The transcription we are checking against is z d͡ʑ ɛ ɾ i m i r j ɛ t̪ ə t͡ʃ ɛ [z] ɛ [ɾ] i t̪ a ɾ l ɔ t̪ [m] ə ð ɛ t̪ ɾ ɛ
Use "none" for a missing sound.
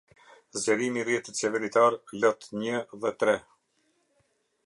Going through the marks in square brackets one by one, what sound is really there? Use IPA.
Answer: v, ɾ, ɲ

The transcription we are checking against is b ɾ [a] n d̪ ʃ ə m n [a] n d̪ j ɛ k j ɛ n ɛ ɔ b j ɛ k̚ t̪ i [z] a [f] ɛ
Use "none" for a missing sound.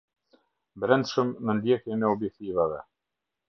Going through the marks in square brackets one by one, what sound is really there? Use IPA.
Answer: ɛ, ə, v, v

